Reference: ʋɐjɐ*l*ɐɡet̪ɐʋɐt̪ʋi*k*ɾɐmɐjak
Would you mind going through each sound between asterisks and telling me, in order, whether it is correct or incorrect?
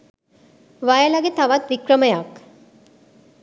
correct, correct

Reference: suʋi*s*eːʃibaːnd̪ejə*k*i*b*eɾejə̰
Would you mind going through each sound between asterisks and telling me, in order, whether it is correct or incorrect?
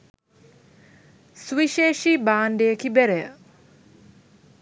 incorrect, correct, correct

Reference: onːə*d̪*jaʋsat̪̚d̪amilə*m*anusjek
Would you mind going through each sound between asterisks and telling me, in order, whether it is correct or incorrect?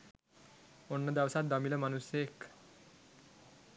correct, correct

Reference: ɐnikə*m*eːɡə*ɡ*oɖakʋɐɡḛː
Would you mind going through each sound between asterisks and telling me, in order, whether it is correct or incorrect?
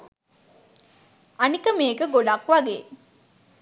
correct, correct

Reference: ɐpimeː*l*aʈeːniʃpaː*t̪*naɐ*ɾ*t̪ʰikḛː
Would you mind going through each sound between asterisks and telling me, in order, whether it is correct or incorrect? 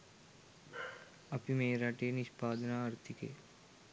incorrect, incorrect, correct

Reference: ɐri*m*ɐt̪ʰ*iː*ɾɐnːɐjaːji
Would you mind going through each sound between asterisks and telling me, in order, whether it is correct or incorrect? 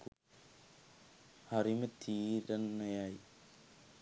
correct, correct

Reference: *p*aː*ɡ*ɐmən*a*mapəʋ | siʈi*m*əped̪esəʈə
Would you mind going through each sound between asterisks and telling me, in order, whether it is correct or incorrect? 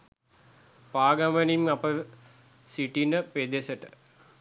correct, correct, incorrect, incorrect

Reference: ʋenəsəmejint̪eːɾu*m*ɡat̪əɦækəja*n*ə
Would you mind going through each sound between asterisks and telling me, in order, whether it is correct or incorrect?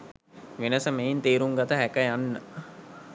incorrect, incorrect

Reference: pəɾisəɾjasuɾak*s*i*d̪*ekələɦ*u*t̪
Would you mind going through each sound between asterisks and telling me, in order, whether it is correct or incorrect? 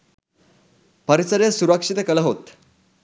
incorrect, incorrect, incorrect

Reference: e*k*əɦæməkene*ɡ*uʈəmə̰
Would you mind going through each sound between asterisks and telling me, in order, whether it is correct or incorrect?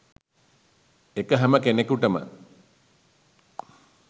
correct, incorrect

